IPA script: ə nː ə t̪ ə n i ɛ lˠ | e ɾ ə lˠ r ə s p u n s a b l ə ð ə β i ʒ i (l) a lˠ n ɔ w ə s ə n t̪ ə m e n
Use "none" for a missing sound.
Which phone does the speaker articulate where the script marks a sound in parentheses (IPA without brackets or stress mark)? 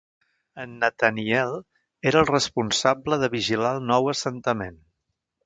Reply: l